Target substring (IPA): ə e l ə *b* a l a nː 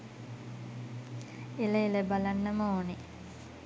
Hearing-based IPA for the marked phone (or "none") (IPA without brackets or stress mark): b